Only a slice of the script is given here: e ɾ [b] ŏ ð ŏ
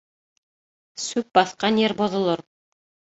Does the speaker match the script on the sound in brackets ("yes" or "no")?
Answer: yes